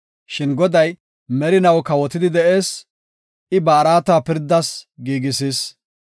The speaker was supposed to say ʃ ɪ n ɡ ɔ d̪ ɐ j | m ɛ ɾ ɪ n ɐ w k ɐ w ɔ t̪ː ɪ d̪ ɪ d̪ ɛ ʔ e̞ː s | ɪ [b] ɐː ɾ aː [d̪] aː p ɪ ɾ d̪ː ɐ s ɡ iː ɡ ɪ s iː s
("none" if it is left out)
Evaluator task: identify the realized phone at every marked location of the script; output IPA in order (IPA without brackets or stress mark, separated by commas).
b, t̪